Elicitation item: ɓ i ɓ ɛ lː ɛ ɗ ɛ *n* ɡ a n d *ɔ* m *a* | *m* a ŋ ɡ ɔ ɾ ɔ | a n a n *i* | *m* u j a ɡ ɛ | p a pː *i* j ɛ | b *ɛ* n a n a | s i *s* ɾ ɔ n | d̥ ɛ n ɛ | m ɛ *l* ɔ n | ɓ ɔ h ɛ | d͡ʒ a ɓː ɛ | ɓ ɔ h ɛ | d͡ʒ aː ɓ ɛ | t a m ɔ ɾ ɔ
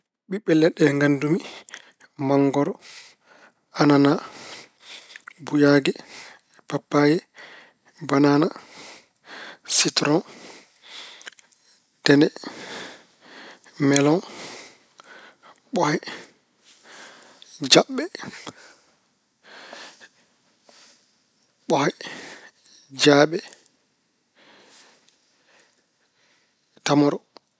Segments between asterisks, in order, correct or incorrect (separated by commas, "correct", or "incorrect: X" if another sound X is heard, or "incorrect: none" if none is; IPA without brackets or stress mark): incorrect: ŋ, incorrect: u, incorrect: i, correct, incorrect: a, incorrect: b, incorrect: a, incorrect: a, incorrect: t, correct